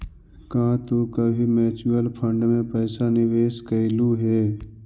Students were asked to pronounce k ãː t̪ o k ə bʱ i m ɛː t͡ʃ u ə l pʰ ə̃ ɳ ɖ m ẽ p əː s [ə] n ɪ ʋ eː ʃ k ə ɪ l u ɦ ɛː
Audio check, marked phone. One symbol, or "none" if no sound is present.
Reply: a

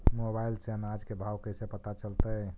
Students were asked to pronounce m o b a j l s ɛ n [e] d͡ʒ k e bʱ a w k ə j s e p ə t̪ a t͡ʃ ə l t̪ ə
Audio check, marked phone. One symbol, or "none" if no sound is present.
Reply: a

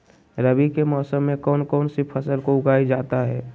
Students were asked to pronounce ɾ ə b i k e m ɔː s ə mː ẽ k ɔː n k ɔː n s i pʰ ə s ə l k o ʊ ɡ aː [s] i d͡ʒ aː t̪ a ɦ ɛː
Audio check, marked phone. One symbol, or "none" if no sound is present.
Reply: none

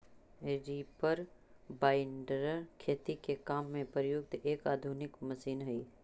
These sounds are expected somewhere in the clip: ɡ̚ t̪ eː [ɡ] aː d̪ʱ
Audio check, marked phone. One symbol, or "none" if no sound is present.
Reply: k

